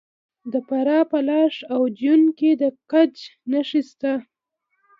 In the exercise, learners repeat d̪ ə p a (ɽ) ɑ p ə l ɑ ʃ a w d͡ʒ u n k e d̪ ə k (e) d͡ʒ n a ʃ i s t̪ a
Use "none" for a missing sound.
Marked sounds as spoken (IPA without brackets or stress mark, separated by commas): ɾ, a